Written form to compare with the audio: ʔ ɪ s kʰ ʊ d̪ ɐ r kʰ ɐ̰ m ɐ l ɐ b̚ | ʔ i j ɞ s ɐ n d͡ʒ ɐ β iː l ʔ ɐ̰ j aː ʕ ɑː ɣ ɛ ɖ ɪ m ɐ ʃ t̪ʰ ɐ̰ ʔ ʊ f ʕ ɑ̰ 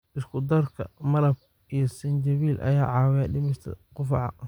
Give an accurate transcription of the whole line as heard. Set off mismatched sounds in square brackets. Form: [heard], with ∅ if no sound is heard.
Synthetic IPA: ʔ ɪ s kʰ ʊ d̪ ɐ r kʰ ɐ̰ m ɐ l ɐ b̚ | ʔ i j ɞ s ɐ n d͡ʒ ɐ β iː l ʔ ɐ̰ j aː ʕ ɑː [w] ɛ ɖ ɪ m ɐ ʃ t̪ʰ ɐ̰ [q] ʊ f ʕ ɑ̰